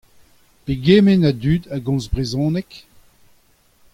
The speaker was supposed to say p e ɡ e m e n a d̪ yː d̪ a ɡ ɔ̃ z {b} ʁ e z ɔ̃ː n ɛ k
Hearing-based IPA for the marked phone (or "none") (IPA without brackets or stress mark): b